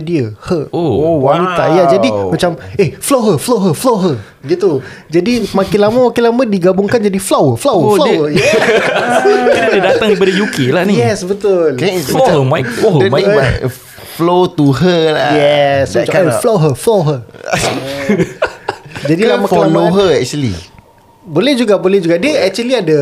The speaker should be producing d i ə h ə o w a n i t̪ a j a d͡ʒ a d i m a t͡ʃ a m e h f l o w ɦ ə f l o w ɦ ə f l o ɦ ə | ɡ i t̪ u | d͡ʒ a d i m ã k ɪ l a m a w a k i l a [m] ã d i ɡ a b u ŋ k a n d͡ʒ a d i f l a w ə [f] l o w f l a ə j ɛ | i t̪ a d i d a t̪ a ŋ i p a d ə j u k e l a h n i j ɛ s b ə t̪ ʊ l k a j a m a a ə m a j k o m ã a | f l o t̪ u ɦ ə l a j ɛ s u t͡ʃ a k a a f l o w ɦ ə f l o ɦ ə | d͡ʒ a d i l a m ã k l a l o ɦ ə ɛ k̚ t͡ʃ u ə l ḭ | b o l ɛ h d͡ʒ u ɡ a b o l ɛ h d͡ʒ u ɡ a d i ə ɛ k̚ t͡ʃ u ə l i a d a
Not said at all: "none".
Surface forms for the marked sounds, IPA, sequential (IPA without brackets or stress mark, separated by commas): m, f